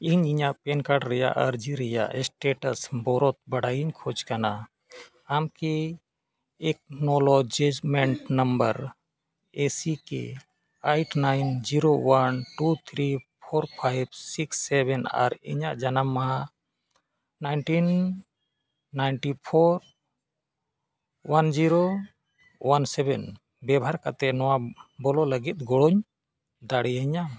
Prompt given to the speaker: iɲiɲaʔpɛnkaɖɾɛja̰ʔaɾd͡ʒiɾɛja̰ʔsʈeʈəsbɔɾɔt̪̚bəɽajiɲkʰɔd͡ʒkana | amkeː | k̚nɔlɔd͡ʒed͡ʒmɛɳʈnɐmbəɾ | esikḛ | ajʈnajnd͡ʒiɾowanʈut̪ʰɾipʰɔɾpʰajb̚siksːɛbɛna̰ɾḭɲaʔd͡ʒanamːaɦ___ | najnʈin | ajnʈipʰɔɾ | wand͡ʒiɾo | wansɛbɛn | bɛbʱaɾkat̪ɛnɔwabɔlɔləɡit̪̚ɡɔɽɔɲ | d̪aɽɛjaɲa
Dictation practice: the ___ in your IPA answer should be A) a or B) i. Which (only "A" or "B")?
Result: A